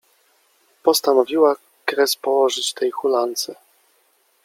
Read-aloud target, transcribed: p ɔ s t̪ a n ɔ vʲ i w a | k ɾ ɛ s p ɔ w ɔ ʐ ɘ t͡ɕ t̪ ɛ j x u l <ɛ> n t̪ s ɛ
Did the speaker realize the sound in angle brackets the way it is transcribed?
no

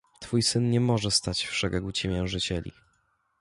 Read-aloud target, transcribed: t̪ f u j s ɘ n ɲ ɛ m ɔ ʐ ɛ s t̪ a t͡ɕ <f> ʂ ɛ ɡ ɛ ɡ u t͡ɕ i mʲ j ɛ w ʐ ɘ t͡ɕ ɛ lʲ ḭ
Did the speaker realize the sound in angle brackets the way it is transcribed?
yes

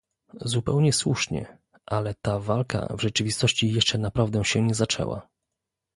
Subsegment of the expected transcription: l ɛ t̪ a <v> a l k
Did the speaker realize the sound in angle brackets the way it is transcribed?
yes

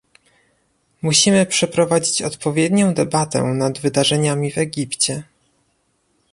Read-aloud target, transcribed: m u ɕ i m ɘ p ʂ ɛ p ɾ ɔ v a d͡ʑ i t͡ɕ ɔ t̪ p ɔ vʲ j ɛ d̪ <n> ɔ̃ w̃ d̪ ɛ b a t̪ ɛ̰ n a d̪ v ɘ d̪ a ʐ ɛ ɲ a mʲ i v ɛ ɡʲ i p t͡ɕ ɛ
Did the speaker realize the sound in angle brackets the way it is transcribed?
no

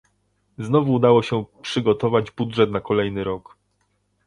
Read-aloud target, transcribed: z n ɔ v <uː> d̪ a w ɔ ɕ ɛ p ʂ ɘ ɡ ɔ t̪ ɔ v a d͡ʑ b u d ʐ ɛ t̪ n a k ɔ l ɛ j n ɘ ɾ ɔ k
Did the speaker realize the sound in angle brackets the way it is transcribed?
yes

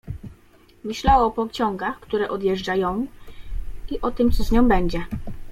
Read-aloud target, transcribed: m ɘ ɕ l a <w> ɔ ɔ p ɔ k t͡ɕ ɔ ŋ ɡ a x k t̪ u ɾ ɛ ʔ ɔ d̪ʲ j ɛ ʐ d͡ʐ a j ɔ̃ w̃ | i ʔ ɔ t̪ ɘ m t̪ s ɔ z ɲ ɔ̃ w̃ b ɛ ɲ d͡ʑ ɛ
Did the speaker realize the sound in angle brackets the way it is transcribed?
yes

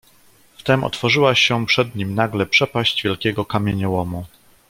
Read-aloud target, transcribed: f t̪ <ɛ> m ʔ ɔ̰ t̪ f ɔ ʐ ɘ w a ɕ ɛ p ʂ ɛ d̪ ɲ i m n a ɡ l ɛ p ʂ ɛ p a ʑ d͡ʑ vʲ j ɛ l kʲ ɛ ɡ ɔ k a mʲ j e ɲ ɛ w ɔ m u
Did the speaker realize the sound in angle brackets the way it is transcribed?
yes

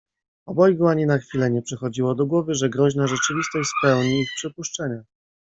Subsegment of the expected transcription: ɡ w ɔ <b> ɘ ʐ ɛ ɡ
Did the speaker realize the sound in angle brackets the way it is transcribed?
no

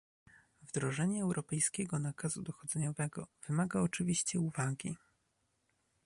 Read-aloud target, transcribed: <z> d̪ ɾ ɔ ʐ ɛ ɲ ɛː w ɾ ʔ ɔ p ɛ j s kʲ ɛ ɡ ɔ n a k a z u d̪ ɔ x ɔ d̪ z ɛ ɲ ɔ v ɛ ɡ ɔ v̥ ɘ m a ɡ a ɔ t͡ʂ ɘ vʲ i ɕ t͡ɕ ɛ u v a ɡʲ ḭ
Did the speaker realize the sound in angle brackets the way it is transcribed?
no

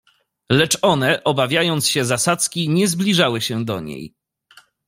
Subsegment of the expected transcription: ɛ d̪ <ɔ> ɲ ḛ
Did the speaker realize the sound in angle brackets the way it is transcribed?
yes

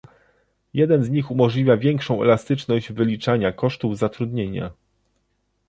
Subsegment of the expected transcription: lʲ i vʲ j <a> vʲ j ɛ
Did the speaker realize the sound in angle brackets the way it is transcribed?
yes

